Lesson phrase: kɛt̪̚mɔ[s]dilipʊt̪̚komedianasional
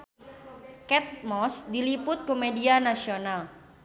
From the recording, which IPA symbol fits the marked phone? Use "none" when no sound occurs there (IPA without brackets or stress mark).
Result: s